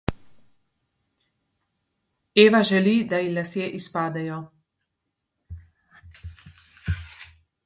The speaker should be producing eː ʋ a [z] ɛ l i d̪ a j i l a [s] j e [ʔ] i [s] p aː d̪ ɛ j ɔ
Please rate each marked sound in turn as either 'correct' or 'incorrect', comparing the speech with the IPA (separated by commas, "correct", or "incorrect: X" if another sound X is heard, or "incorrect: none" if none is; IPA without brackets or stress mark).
incorrect: ʒ, correct, correct, correct